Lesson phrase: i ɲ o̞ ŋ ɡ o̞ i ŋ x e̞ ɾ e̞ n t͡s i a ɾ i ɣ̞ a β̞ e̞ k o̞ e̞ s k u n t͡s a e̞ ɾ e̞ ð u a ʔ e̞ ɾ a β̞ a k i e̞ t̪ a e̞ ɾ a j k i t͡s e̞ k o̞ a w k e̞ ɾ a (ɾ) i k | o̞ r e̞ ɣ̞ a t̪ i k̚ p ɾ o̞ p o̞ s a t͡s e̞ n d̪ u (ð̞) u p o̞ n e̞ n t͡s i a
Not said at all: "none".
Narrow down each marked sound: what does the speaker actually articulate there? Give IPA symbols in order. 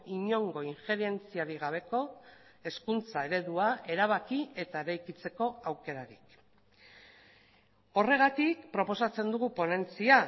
ɾ, ɣ̞

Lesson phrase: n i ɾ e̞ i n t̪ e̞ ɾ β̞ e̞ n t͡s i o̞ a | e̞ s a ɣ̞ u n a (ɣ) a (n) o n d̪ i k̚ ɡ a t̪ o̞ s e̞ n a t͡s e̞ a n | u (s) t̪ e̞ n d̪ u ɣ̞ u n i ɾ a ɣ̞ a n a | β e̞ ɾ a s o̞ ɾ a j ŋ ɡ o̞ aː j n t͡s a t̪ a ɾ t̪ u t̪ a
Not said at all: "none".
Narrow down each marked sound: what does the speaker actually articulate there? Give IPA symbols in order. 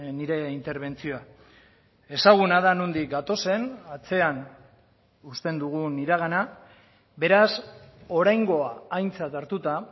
ð, n, s

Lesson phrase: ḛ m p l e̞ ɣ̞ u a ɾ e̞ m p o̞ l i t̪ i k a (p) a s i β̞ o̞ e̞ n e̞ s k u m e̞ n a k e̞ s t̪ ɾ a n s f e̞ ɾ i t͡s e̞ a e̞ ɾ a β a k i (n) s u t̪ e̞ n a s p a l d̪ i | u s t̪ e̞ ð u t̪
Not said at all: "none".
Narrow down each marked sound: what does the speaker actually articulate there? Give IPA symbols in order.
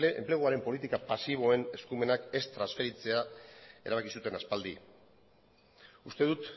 p, none

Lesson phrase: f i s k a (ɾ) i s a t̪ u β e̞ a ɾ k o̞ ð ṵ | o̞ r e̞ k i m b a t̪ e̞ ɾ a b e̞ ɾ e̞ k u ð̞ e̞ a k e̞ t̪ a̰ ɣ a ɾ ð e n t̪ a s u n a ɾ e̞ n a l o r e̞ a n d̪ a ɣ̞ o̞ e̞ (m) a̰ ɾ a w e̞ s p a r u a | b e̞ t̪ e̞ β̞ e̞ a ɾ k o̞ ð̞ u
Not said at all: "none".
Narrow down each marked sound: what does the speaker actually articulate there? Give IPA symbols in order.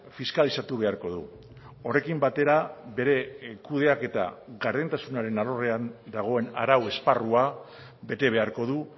l, n

